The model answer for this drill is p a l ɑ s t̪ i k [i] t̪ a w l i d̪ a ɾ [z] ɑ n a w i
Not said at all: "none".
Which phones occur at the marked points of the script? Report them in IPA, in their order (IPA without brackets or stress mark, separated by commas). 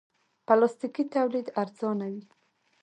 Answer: i, z